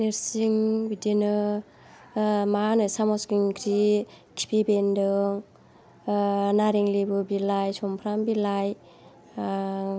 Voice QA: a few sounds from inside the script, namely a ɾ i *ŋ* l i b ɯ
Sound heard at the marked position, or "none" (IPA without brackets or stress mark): ŋ